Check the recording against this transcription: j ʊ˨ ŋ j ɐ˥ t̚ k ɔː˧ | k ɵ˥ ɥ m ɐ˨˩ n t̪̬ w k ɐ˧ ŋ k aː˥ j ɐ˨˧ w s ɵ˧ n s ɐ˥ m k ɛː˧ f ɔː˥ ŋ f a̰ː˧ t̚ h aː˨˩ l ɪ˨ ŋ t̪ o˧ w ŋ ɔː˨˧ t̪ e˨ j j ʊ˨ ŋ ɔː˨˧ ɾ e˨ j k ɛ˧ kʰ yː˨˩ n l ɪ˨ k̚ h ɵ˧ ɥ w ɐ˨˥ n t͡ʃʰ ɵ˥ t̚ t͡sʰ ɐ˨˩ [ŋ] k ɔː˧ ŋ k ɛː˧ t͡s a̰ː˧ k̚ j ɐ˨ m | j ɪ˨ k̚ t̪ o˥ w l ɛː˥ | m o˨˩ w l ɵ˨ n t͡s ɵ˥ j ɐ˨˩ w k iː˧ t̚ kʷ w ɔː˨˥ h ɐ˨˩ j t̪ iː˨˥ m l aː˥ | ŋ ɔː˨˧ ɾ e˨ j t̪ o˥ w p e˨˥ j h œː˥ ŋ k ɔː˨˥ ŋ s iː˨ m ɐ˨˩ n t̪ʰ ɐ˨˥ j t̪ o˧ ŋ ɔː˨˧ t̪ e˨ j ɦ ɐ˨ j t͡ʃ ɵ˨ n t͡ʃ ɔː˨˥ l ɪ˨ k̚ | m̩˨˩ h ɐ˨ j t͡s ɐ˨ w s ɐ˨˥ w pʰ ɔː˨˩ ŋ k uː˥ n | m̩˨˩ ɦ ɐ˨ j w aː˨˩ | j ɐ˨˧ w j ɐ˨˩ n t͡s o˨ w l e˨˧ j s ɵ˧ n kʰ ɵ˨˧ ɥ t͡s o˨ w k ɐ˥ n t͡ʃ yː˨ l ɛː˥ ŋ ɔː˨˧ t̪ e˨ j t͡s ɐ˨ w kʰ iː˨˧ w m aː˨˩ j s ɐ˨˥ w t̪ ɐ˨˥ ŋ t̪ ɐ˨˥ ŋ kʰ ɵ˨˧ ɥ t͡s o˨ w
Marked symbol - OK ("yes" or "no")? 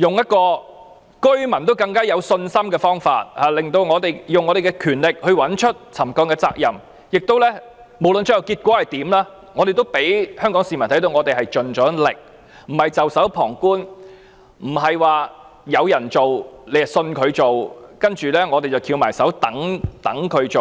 no